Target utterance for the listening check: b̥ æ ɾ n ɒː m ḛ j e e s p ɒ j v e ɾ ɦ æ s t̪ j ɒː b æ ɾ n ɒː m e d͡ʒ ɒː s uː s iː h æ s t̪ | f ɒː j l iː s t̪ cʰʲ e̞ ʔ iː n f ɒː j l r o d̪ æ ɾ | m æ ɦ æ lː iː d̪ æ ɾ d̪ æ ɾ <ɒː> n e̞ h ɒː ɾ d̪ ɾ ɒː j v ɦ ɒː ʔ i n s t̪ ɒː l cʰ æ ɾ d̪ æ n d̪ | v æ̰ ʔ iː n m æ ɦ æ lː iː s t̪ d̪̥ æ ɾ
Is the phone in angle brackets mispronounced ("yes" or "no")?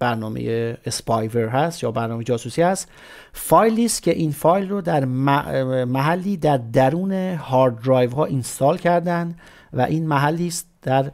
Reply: yes